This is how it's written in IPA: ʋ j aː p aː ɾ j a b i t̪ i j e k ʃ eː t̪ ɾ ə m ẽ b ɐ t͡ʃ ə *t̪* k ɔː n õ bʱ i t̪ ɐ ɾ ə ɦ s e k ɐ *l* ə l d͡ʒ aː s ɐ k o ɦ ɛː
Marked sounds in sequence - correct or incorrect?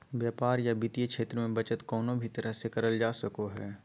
correct, incorrect

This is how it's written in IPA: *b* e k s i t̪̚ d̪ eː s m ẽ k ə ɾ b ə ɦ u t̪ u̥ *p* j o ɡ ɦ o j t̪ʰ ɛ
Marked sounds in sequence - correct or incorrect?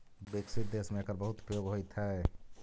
correct, correct

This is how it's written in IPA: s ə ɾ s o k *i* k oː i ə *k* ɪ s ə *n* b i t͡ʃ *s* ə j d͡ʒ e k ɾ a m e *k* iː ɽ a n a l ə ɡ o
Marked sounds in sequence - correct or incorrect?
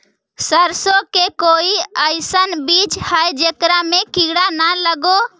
incorrect, incorrect, correct, incorrect, correct

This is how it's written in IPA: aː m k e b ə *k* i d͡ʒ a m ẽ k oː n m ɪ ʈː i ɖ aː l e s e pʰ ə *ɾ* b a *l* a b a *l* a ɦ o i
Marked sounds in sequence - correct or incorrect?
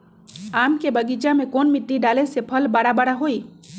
incorrect, incorrect, incorrect, incorrect

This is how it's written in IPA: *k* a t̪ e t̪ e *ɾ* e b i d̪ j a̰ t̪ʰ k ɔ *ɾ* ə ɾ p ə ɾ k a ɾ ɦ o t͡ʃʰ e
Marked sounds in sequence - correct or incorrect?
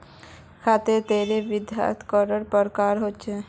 incorrect, correct, correct

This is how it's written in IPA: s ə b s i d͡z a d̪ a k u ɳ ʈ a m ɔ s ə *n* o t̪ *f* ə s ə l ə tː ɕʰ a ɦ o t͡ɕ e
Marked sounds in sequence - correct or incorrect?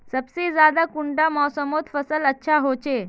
incorrect, correct

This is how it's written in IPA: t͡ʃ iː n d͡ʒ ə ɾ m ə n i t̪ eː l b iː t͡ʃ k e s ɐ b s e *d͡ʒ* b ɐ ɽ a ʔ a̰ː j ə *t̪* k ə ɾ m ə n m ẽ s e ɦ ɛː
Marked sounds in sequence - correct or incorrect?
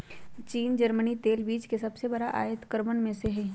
incorrect, correct

